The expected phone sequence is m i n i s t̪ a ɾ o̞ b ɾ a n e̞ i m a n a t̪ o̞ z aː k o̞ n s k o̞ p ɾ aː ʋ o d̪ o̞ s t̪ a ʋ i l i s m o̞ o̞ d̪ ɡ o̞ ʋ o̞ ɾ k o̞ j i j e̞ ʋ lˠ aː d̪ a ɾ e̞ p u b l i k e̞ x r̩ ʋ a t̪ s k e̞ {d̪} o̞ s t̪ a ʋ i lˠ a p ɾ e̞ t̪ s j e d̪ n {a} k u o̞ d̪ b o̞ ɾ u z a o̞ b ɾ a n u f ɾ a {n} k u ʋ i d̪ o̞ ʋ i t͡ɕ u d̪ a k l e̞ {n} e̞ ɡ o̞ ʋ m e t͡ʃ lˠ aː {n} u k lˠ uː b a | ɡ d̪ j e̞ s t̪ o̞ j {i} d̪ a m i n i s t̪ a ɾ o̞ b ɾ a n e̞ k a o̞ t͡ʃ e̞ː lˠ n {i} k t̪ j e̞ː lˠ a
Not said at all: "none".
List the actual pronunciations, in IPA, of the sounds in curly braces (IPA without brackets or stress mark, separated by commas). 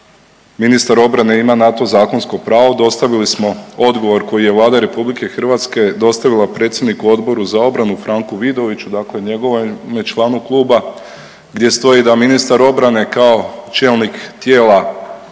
d̪, i, ŋ, ɲ, n, i, i